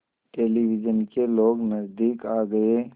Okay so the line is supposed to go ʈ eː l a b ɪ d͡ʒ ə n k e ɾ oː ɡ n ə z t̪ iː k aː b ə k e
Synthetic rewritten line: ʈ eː l i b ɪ d͡ʒ ə n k e l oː ɡ n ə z d̪ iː k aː ɡ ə e

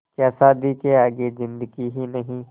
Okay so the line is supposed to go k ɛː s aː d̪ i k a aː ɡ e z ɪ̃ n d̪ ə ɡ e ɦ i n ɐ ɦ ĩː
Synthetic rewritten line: k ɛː s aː d̪ i k e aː ɡ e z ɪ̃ n d̪ ə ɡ i ɦ i n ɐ ɦ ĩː

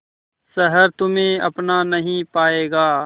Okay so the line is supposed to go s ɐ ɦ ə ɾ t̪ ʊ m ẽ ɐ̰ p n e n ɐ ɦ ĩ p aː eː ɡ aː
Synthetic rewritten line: s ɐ ɦ ə ɾ t̪ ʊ m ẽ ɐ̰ p n a n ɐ ɦ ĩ p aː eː ɡ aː

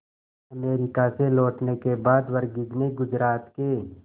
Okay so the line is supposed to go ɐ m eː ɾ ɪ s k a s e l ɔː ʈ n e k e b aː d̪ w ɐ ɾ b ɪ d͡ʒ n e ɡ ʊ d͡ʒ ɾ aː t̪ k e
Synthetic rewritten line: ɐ m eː ɾ ɪ k a s e l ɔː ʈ n e k e b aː d̪ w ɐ ɾ ɡ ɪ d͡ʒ n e ɡ ʊ d͡ʒ ɾ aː t̪ k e

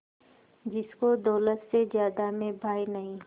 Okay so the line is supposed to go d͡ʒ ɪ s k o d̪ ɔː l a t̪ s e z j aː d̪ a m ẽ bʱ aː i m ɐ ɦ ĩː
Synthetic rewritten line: d͡ʒ ɪ s k o d̪ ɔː l ə t̪ s e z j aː d̪ a m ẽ bʱ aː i n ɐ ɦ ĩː

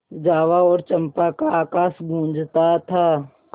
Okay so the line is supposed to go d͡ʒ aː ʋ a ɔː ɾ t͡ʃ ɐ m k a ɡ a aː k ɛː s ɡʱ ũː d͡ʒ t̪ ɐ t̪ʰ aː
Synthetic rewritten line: d͡ʒ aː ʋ a ɔː ɾ t͡ʃ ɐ m p a k a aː k aː s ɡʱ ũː d͡ʒ t̪ a t̪ʰ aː

